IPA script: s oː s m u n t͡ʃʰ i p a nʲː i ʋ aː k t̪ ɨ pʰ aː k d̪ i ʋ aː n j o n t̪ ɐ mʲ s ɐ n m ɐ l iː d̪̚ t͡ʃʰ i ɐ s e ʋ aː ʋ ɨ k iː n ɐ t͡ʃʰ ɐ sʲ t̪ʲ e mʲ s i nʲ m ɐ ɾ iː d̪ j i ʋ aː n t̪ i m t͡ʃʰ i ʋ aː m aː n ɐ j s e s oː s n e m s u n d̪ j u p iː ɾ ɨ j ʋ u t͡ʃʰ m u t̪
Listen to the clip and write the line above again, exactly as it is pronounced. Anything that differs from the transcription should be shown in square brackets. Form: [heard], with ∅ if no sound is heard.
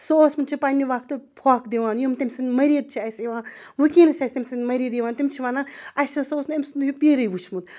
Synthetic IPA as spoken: s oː s m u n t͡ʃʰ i p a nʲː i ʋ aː k t̪ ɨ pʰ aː k d̪ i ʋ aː n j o [m] t̪ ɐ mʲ s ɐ n m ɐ [ɾ] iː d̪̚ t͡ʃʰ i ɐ s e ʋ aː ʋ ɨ k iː n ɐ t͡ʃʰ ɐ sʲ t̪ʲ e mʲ s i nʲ m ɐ ɾ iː d̪ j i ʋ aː n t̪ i m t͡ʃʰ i ʋ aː [n] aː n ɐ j s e s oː s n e m s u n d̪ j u p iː ɾ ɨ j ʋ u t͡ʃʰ m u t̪

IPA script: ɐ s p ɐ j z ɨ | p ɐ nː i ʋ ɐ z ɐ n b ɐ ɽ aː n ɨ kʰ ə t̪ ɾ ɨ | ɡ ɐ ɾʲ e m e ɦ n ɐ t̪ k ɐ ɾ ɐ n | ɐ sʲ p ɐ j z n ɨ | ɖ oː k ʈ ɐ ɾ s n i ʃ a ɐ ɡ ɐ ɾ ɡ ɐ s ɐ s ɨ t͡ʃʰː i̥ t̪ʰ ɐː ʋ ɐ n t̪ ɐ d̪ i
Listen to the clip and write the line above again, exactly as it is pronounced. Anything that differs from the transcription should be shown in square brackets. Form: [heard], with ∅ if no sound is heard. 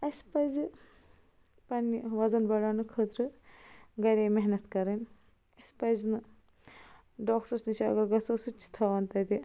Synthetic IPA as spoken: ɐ s p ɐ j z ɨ | p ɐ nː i ʋ ɐ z ɐ n b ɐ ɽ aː n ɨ kʰ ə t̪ ɾ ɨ | ɡ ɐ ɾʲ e m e ɦ n ɐ t̪ k ɐ ɾ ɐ n | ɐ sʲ p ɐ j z n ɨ | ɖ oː k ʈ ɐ ɾ s n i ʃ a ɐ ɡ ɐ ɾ ɡ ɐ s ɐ s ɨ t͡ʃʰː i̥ t̪ʰ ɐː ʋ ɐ n t̪ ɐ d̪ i

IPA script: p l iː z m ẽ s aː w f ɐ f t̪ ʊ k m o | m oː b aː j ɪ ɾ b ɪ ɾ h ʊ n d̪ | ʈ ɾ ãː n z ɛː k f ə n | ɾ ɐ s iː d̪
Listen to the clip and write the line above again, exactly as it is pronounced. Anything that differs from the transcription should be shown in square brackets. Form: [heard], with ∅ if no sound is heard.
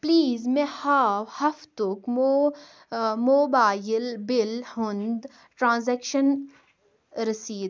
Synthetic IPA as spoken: p l iː z m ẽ [h] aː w [h] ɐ f t̪ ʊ k m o | m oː b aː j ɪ [l] b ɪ [l] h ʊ n d̪ | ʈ ɾ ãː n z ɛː k [ʃ] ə n | ɾ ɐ s iː d̪

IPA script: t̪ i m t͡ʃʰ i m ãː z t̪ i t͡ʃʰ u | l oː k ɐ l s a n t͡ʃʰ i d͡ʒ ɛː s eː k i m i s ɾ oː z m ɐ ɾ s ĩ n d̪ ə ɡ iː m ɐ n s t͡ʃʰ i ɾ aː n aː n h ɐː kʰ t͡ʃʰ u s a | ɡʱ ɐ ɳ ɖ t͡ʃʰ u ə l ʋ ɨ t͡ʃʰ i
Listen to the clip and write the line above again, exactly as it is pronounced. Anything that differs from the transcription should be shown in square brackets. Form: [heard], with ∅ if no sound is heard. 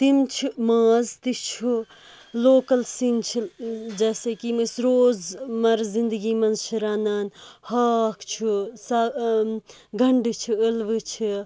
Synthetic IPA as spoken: t̪ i m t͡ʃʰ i m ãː z t̪ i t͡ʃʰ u | l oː k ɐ l s [i] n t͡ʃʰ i d͡ʒ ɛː s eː k i m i s ɾ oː z m ɐ ɾ [z] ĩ n d̪ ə ɡ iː m ɐ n [z] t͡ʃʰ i ɾ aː n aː n h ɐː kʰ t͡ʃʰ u s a | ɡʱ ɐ ɳ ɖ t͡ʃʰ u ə l ʋ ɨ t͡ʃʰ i

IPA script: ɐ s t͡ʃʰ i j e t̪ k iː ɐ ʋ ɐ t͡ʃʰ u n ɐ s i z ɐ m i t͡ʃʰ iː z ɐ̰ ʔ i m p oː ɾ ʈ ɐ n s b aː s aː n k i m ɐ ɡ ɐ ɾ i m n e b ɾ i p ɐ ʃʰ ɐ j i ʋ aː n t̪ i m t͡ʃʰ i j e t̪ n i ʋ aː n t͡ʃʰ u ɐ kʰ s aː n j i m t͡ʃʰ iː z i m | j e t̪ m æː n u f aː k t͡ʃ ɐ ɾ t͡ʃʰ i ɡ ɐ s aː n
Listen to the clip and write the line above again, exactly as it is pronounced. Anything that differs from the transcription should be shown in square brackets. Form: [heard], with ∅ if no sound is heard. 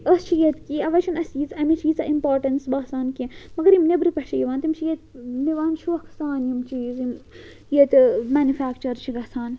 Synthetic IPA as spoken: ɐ s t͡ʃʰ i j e t̪ k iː ɐ ʋ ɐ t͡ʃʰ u n ɐ s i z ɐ m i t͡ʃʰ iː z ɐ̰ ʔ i m p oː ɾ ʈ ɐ n s b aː s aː n k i m ɐ ɡ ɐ ɾ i m n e b ɾ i p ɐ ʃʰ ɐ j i ʋ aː n t̪ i m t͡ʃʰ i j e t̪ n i ʋ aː n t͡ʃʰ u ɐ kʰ s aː n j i m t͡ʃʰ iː z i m | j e t̪ m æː n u f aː k t͡ʃ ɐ ɾ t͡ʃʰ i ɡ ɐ s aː n

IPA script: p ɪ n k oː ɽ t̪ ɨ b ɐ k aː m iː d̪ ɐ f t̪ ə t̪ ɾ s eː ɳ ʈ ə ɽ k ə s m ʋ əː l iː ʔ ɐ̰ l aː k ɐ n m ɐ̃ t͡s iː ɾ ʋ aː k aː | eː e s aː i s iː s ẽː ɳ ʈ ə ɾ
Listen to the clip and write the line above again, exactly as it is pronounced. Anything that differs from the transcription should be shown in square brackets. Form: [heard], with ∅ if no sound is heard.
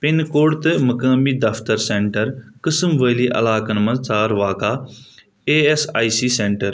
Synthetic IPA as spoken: p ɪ n k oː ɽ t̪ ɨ [m] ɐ k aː m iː d̪ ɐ f t̪ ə [∅] ɾ s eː ɳ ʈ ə [ɾ] k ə s m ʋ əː l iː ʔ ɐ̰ l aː k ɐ n m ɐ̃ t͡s [aː] ɾ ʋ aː k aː | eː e s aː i s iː s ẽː ɳ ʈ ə ɾ

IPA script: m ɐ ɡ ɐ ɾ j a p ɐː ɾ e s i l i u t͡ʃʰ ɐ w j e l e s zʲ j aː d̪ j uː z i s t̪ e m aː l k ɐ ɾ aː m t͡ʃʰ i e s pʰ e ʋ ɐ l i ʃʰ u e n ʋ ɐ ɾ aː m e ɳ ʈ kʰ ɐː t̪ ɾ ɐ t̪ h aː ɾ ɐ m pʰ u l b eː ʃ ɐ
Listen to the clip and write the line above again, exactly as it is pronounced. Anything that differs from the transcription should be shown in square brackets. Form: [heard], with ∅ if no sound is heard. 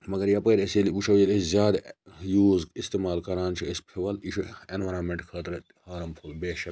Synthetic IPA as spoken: m ɐ ɡ ɐ ɾ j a p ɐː ɾ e s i l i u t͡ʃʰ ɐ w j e l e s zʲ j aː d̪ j uː z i s t̪ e m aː l k ɐ ɾ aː [n] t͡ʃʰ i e s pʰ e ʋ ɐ l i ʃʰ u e n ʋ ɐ ɾ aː m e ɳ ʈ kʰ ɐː t̪ ɾ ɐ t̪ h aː ɾ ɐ m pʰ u l b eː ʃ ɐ

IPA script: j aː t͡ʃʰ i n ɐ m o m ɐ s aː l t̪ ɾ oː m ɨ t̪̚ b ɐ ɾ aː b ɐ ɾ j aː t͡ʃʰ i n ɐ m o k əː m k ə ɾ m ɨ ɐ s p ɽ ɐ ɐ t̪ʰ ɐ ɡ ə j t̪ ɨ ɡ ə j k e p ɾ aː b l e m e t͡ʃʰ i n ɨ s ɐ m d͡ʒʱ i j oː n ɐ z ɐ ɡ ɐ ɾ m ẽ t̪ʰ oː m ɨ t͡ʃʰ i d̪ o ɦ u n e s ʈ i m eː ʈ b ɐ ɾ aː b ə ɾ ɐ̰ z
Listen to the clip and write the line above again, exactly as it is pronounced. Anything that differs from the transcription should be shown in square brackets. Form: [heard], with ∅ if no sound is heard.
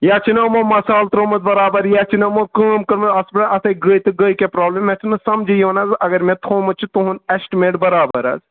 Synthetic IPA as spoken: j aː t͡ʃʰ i n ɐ m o m ɐ s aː l t̪ ɾ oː m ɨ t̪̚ b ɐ ɾ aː b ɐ ɾ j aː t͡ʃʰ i n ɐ m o k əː m k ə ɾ m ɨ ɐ s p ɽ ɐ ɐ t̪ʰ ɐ ɡ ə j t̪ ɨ ɡ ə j k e p ɾ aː b l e m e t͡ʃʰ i n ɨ s ɐ m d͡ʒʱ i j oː n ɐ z ɐ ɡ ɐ ɾ m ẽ t̪ʰ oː m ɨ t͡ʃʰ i [t̪] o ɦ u n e s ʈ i m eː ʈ b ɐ ɾ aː b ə ɾ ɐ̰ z

